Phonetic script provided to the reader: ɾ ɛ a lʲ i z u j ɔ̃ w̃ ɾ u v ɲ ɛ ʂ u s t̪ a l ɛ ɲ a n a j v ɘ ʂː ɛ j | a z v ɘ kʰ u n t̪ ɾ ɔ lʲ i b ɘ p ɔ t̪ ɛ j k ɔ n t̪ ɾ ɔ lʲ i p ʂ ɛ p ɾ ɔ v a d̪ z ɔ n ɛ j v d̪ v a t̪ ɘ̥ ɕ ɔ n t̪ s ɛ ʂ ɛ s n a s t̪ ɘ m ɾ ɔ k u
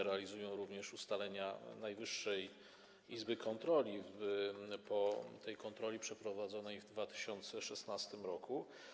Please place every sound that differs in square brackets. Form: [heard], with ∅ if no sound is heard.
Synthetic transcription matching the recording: ɾ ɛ a lʲ i z u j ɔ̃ w̃ ɾ u v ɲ ɛ ʂ u s t̪ a l ɛ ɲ a n a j v ɘ ʂː ɛ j | [i] z [b] ɘ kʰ [ɔ] n t̪ ɾ ɔ lʲ i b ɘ p ɔ t̪ ɛ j k ɔ n t̪ ɾ ɔ lʲ i p ʂ ɛ p ɾ ɔ v a d̪ z ɔ n ɛ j v d̪ v a t̪ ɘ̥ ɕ ɔ n t̪ s ɛ ʂ ɛ s n a s t̪ ɘ m ɾ ɔ k u